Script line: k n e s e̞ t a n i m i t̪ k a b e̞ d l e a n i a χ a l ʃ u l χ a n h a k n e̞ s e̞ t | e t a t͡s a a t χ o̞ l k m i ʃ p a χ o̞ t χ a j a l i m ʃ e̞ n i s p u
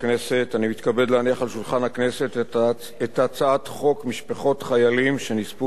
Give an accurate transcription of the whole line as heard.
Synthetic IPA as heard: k n e s e̞ t a n i m i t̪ k a b e̞ d l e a n i a χ a l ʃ u l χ a n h a k n e̞ s e̞ t | e t a t͡s a a t χ o̞ k m i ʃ p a χ o̞ t χ a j a l i m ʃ e̞ n i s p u